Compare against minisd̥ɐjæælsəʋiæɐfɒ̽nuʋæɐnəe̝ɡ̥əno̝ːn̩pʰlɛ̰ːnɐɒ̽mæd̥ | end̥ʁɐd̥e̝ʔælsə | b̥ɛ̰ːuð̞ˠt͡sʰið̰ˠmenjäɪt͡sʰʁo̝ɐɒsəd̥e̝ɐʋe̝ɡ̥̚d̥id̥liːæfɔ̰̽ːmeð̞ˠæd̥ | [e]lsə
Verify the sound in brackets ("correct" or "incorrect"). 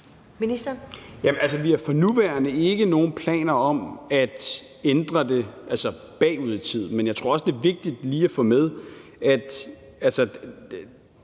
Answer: incorrect